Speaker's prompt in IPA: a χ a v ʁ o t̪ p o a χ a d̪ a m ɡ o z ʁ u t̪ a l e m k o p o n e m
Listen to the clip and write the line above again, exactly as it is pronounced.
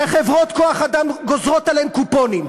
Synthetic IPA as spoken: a χ e v ʁ o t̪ k o a χ a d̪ a m ɡ o z ʁ o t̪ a l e m k u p o n i m